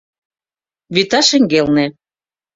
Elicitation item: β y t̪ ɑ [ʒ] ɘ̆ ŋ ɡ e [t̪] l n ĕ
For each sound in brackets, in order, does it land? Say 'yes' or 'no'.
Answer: no, no

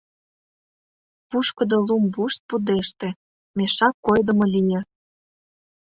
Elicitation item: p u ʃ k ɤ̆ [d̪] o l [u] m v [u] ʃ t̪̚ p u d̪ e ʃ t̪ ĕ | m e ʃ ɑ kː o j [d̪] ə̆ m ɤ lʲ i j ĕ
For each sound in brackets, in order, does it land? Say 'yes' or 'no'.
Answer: yes, yes, yes, yes

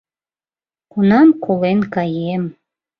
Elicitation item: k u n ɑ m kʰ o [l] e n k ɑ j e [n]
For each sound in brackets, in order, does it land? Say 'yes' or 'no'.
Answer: yes, no

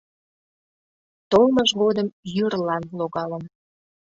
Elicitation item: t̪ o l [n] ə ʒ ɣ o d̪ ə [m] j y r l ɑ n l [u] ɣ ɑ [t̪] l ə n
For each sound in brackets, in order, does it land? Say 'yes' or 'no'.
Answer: no, yes, no, no

